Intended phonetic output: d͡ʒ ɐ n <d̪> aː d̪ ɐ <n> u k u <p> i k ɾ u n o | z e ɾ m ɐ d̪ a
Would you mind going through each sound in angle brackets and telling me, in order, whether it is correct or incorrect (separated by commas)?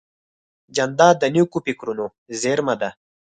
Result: correct, correct, correct